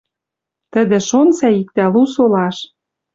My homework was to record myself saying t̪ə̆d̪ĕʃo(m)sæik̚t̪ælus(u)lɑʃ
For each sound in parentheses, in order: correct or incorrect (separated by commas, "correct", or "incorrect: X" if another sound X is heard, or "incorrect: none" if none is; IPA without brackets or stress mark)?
incorrect: n, incorrect: o